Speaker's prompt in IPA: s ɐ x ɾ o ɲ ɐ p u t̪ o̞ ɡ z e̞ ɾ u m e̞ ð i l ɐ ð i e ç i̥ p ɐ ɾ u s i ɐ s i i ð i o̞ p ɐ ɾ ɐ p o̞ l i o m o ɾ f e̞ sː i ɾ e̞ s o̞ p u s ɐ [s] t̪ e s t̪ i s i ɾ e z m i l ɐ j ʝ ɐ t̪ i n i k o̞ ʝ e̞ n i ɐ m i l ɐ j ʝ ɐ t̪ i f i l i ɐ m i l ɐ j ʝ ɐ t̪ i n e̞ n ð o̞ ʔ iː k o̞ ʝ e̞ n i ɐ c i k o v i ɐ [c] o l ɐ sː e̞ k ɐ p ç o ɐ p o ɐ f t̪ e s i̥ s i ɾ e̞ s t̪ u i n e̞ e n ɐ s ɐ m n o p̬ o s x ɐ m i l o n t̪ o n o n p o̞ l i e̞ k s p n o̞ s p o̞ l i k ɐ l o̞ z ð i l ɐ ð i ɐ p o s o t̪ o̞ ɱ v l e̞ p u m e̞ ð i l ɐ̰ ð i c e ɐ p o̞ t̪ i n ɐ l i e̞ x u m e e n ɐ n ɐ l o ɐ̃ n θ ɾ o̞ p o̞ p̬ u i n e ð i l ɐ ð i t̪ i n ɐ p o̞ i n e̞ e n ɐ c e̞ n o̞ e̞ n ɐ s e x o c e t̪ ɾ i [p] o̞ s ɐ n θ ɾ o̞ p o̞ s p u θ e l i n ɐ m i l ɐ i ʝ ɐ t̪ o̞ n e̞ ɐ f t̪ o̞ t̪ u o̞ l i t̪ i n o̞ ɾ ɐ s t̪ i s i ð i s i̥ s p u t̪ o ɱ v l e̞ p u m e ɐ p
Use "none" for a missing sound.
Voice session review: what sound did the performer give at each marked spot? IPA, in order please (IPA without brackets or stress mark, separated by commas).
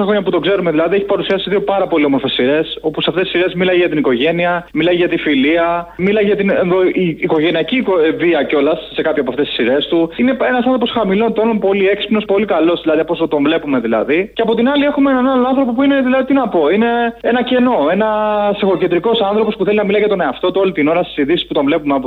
f, c, k